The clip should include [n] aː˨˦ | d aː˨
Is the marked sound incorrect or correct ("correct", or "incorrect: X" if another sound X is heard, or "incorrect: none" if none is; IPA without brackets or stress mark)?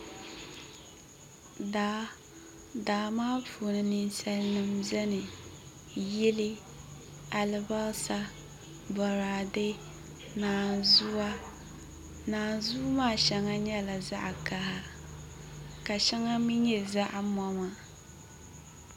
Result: incorrect: d